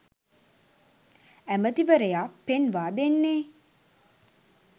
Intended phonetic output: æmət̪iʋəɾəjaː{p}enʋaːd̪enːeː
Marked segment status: correct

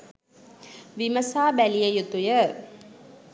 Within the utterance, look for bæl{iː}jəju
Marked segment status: incorrect: i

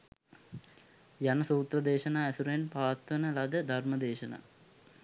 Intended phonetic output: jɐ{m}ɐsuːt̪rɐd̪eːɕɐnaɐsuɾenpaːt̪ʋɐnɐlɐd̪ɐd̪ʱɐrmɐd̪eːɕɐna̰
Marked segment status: incorrect: n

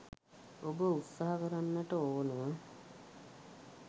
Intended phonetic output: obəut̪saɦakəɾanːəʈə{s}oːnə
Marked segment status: incorrect: none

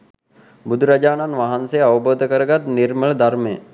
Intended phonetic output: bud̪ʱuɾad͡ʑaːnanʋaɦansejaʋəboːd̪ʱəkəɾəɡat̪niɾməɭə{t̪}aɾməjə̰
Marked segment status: incorrect: d̪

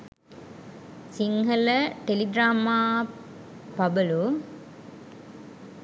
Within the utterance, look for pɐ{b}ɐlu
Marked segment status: correct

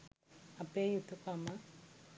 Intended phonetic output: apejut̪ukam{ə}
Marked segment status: incorrect: a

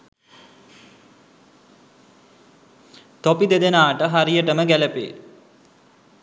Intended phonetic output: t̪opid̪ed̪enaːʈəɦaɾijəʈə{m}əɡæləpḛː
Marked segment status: correct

